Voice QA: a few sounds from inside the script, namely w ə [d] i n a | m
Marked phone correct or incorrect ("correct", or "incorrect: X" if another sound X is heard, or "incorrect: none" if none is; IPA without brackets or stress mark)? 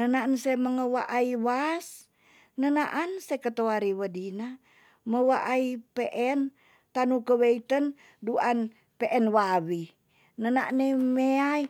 correct